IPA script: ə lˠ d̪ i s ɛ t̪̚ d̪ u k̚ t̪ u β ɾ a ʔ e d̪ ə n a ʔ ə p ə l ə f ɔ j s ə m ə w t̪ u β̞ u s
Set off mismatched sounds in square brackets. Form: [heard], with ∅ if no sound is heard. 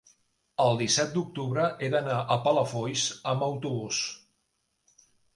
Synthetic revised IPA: ə lˠ d̪ i s ɛ t̪̚ d̪ u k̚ t̪ u β ɾ [ə] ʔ e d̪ ə n a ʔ ə p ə l ə f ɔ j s ə m ə w t̪ u β̞ u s